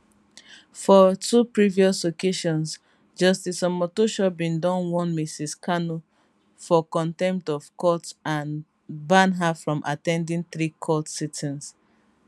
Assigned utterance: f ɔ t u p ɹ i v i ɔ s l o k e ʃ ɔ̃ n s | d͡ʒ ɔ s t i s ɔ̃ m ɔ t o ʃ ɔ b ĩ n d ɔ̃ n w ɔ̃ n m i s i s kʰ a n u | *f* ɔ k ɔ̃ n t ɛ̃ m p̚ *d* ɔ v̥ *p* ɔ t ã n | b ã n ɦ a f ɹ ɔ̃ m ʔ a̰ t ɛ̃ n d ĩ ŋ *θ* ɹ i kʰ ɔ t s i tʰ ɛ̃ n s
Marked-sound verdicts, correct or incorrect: correct, incorrect, incorrect, correct

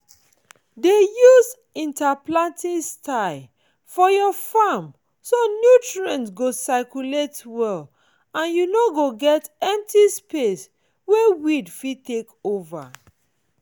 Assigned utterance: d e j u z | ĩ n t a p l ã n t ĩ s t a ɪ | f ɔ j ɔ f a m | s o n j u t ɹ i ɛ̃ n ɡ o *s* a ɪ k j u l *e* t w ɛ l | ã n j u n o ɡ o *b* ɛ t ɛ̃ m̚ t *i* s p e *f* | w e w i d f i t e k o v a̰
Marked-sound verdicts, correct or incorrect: correct, correct, incorrect, correct, incorrect

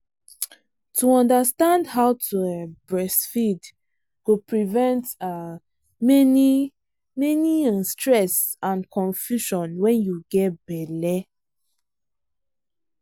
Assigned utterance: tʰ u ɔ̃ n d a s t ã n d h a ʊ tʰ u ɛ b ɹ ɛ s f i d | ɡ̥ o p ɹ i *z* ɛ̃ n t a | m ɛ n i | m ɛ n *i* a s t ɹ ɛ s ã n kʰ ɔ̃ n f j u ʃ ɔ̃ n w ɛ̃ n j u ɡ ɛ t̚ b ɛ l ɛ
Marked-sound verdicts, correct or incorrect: incorrect, correct

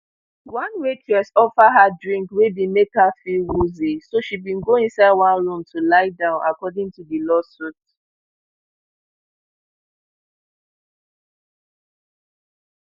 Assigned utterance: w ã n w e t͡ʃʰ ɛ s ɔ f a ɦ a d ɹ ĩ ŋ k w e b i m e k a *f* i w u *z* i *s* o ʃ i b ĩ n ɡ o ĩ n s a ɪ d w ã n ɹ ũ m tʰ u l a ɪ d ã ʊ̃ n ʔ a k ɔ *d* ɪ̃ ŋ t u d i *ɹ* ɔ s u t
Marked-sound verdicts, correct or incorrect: correct, correct, correct, correct, incorrect

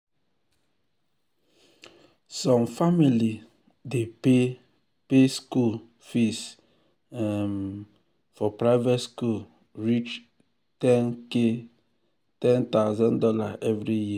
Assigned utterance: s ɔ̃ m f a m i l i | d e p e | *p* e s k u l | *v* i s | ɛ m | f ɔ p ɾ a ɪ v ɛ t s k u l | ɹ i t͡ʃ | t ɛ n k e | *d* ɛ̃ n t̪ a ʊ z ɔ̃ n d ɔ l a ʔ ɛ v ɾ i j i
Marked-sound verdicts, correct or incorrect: correct, incorrect, incorrect

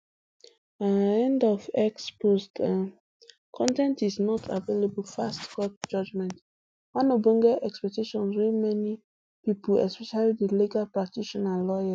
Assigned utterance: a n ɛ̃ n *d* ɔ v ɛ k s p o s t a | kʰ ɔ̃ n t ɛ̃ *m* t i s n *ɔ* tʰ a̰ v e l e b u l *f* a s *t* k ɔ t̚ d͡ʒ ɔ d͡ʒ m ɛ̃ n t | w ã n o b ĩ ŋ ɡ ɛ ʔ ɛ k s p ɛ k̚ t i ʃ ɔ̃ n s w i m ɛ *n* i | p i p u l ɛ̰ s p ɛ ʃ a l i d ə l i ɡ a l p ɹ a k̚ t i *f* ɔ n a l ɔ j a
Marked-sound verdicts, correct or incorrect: correct, incorrect, correct, correct, correct, correct, incorrect

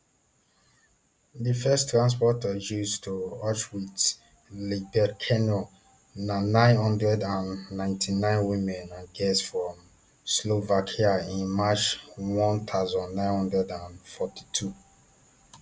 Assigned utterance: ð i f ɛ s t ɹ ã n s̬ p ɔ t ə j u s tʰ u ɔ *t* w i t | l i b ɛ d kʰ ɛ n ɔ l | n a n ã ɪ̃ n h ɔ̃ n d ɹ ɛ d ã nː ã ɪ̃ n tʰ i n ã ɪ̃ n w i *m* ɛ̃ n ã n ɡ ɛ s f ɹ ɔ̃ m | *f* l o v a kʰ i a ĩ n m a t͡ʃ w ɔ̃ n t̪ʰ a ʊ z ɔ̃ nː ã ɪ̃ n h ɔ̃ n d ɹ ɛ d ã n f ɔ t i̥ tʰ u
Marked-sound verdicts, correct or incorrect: incorrect, correct, incorrect

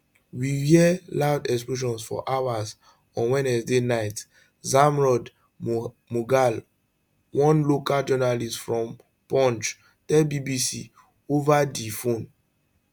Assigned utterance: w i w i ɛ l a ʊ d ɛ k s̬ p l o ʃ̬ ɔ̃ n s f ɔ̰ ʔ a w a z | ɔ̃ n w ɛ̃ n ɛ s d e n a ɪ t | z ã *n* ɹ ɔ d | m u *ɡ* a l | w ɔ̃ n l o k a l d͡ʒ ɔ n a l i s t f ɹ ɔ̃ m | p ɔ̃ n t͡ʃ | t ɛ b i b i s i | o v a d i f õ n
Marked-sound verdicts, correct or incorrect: incorrect, correct

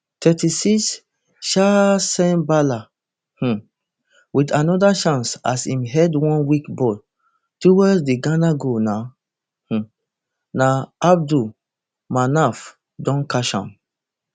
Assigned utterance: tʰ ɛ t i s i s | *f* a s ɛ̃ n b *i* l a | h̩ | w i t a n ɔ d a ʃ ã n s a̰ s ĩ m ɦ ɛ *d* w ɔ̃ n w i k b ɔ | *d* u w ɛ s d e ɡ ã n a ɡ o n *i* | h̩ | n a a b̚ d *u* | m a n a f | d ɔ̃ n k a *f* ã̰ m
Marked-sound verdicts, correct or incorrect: incorrect, incorrect, correct, incorrect, incorrect, correct, incorrect

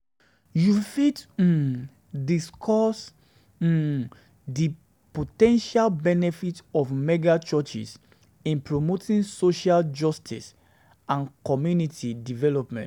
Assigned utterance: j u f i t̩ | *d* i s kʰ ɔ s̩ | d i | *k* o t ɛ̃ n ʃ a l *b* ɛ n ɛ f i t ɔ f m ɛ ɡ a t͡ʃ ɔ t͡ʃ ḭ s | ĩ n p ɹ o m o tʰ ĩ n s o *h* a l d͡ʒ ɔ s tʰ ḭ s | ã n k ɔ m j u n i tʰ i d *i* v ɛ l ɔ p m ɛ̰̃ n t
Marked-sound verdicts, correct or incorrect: correct, incorrect, correct, incorrect, correct

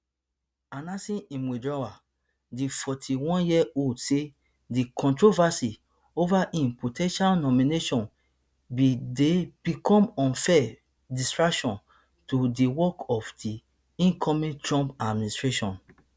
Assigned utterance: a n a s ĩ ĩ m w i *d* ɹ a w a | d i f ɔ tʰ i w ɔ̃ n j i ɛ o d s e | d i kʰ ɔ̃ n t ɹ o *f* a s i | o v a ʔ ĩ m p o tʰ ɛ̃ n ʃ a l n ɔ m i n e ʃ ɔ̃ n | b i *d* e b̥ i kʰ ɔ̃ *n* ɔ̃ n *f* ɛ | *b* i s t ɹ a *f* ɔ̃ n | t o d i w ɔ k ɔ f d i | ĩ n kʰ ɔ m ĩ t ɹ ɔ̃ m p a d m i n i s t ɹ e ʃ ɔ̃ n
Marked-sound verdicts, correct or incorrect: correct, incorrect, correct, incorrect, correct, incorrect, incorrect

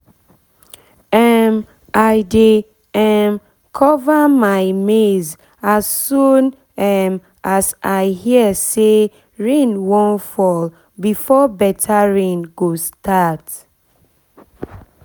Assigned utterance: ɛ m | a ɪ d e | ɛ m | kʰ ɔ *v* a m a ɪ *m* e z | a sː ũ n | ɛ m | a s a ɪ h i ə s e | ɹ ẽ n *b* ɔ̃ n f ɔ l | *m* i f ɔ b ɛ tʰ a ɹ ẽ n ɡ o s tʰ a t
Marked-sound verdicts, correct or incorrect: correct, correct, incorrect, incorrect

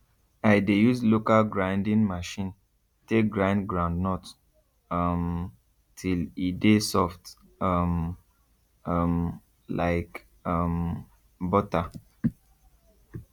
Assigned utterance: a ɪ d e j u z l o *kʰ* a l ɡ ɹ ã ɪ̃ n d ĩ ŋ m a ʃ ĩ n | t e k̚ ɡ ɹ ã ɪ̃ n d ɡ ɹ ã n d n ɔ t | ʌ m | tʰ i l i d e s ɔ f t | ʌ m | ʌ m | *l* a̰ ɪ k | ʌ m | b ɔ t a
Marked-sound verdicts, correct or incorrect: incorrect, correct

